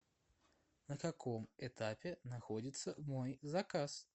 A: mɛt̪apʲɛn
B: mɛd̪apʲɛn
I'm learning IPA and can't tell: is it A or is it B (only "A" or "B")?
A